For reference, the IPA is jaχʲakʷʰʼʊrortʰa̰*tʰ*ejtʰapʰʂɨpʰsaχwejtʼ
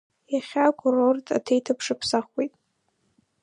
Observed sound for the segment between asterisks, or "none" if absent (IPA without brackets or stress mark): tʰ